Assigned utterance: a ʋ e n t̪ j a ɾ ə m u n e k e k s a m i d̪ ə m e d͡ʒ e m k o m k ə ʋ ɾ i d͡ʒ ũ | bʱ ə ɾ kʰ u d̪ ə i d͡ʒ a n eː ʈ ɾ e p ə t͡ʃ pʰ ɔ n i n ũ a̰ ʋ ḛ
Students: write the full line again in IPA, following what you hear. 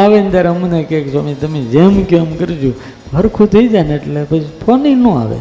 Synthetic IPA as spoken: a ʋ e n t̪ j a ɾ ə m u n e k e k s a m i t̪ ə m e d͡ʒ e m k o m k ə ɾ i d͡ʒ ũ | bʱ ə ɾ kʰ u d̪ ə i d͡ʒ a n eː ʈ l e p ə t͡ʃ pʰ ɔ n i n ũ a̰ ʋ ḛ